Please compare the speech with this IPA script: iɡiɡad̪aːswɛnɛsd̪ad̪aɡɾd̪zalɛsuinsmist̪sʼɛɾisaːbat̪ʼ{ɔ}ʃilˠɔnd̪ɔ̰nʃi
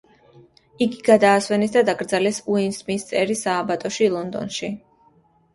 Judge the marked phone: correct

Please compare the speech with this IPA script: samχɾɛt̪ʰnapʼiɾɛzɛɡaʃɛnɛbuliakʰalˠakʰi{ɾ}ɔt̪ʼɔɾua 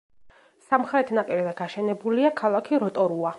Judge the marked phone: correct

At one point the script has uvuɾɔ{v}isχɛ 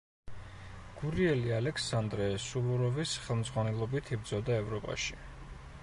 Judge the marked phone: correct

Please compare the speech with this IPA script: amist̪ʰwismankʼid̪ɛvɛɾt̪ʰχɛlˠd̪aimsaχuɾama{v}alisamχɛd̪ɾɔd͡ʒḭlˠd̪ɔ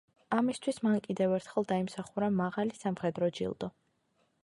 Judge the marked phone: incorrect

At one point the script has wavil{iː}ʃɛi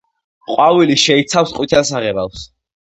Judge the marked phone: incorrect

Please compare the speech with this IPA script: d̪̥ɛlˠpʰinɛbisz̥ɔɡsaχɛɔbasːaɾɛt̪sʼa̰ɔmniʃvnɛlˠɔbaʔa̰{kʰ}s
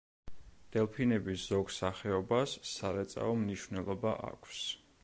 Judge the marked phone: correct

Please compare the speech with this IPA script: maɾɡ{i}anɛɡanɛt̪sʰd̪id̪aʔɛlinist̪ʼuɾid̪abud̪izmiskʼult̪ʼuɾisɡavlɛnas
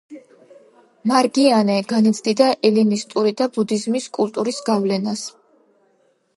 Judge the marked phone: correct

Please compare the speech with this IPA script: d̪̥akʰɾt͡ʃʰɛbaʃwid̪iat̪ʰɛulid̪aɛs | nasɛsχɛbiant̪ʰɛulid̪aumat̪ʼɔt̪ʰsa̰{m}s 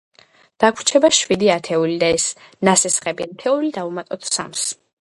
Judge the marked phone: correct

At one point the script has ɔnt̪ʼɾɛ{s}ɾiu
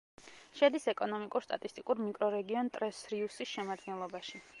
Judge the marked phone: correct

